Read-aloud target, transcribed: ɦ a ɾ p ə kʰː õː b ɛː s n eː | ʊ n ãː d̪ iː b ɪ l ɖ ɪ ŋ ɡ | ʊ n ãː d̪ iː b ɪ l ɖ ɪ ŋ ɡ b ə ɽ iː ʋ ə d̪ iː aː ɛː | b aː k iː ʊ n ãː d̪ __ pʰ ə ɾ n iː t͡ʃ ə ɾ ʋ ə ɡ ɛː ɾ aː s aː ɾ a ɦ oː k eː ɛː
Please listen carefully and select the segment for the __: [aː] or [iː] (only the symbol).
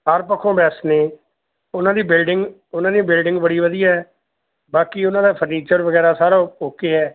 aː